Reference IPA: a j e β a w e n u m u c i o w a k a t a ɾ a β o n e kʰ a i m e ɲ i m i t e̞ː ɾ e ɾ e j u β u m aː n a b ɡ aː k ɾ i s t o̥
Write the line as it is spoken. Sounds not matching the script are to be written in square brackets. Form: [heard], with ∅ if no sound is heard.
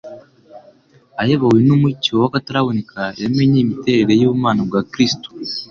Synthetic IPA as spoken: a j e β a w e n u m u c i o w a k a t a ɾ a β o n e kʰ a [e] m e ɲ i m i t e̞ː ɾ e ɾ e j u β u m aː n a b ɡ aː k ɾ i s t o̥